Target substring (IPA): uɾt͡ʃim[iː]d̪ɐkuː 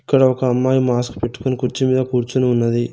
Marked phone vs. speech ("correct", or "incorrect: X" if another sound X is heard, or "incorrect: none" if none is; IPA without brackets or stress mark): correct